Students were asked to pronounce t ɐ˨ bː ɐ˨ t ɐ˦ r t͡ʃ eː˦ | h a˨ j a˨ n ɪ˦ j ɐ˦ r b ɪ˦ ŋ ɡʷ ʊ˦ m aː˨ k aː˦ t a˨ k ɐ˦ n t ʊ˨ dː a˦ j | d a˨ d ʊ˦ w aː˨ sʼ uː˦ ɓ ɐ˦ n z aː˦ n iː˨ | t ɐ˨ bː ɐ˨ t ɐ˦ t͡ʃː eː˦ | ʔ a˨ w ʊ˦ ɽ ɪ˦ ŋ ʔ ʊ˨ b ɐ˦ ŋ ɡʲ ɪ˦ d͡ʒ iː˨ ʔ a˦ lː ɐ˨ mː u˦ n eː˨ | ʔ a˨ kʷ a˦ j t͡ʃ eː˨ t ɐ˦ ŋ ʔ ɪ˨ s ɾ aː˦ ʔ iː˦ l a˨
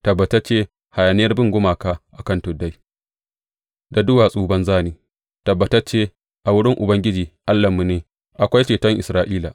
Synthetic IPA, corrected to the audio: t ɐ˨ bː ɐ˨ t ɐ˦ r t͡ʃ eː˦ | h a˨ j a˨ n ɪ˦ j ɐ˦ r b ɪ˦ ŋ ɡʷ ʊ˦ m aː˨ k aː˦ ʔ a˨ k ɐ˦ n t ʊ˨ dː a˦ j | d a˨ d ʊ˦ w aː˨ sʼ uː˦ b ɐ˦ n z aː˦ n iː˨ | t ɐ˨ bː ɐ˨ t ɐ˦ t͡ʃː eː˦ | ʔ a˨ w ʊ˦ ɽ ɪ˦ ŋ ʔ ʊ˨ b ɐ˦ ŋ ɡʲ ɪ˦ d͡ʒ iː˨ ʔ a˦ lː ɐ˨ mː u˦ n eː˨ | ʔ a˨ kʷ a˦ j t͡ʃ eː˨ t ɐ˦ ŋ ʔ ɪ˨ s ɾ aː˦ ʔ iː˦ l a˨

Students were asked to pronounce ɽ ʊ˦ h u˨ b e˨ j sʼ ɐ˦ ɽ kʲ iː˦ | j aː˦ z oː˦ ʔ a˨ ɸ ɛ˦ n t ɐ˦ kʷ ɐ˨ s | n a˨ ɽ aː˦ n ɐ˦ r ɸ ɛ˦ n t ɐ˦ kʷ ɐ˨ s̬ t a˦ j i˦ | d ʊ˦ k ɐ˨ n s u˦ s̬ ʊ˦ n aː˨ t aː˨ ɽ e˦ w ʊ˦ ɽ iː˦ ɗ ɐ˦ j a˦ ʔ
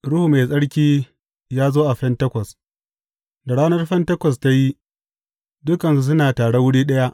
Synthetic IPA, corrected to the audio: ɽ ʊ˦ h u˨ m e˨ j sʼ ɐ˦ ɽ kʲ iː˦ | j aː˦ z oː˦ ʔ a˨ ɸ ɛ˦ n t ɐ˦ kʷ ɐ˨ s | d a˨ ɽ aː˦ n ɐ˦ r ɸ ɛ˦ n t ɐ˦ kʷ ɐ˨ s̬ t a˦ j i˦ | d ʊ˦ k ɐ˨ n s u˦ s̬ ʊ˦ n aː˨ t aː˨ ɽ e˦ w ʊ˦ ɽ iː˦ ɗ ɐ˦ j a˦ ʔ

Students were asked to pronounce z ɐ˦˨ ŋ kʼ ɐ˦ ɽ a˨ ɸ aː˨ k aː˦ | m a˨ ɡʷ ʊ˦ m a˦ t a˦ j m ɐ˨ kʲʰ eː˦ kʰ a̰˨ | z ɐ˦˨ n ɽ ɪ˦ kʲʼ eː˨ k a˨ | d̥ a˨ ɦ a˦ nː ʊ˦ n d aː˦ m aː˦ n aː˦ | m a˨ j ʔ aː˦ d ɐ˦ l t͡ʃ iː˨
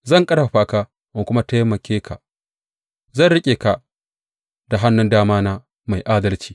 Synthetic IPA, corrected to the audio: z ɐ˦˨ ŋ kʼ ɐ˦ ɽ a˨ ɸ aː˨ k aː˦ | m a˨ kʷ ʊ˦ m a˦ t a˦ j m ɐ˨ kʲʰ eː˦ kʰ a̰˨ | z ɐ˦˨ n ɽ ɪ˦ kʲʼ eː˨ k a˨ | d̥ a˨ ɦ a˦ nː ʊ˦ n d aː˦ m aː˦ n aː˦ | m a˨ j ʔ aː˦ d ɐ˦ l t͡ʃ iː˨

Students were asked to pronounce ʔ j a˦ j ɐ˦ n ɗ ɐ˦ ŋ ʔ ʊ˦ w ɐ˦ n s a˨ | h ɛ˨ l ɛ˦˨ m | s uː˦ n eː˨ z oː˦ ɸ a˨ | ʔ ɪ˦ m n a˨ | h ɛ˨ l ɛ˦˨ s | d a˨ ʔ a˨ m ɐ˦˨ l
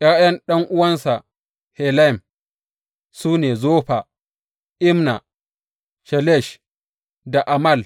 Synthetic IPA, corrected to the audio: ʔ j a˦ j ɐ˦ n ɗ ɐ˦ ŋ ʔ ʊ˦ w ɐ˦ n s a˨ | h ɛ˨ l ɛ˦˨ m | s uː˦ n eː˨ z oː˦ ɸ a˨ | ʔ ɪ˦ m n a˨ | ʃ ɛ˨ l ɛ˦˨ ʃ | d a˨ ʔ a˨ m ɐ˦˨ l

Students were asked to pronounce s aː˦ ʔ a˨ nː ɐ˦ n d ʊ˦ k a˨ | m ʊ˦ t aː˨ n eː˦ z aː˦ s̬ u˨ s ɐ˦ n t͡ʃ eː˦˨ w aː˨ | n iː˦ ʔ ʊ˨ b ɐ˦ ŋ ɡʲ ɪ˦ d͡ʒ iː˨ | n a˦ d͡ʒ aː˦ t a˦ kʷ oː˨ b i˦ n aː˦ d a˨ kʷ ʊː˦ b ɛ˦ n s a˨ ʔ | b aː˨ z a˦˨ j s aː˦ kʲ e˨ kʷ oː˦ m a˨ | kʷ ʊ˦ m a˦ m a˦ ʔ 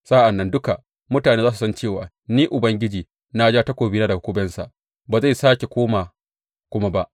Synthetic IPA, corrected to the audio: s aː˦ ʔ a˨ nː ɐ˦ n d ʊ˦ k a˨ | m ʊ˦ t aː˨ n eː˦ z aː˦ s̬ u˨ s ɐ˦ n t͡ʃ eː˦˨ w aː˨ | n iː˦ ʔ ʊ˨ b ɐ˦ ŋ ɡʲ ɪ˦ d͡ʒ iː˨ | n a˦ d͡ʒ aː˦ t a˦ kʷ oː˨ b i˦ n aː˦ d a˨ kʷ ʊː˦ b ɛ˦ n s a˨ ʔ | b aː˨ z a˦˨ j s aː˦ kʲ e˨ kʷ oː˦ m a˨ | kʷ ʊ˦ m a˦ b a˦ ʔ

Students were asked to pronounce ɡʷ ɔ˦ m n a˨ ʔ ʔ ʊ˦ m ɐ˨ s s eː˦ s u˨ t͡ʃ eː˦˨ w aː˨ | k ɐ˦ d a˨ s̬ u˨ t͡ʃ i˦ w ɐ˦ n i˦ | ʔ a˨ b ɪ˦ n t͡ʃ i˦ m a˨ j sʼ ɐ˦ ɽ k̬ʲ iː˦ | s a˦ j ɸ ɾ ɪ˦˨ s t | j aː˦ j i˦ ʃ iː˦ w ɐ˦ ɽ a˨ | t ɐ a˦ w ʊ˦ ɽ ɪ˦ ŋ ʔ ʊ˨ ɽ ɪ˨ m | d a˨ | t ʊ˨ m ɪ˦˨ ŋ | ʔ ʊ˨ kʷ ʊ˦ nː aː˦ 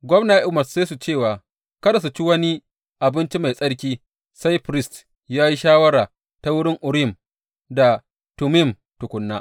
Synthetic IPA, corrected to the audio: ɡʷ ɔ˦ m n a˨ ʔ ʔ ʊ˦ m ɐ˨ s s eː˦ s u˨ t͡ʃ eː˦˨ w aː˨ | k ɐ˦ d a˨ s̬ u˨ t͡ʃ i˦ w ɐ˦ n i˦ | ʔ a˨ b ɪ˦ n t͡ʃ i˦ m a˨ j sʼ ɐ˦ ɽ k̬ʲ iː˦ | s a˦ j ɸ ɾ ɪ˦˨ s t | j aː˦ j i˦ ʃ aː˦ w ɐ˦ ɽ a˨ | t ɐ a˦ w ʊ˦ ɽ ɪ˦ ŋ ʔ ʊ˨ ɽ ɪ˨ m | d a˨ | t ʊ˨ m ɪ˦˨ m | t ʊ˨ kʷ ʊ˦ nː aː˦

